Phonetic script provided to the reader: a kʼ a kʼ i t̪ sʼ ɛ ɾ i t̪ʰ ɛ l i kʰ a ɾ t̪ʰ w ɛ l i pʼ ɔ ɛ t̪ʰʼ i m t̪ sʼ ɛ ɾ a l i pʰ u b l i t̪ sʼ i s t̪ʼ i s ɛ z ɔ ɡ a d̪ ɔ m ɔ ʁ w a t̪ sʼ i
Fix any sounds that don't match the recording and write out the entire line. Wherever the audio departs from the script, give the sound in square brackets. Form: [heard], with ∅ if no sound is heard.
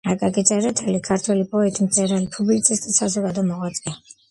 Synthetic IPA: a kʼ a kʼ i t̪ sʼ ɛ ɾ [ɛ] t̪ʰ ɛ l i kʰ a ɾ t̪ʰ w ɛ l i pʼ ɔ ɛ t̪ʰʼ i m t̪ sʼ ɛ ɾ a l i pʰ u b l i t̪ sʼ i s t̪ʼ i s [a] z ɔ ɡ a d̪ ɔ m ɔ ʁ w a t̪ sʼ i